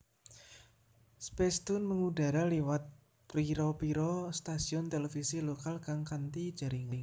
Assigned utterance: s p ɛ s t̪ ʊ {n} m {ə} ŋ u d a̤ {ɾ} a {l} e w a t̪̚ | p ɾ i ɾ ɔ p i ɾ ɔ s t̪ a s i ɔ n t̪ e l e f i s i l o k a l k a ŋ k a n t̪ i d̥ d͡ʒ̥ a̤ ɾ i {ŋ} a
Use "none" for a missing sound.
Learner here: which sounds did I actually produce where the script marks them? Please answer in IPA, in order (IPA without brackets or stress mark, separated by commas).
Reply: n, ə, ɾ, l, ŋ